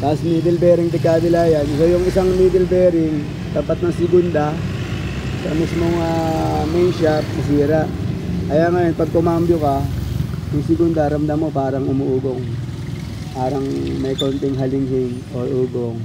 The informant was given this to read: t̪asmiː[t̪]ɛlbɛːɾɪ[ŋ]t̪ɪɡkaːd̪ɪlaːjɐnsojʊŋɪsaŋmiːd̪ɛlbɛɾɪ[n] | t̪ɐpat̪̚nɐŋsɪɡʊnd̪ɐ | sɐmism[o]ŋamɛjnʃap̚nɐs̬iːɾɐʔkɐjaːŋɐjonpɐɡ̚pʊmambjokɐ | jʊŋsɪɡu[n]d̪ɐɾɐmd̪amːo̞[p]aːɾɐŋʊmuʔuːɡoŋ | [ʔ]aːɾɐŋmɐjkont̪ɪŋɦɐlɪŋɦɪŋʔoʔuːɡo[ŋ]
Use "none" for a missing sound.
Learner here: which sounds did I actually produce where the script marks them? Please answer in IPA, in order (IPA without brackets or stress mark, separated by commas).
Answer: d̪, ŋ, ŋ, o, n, p, p, ŋ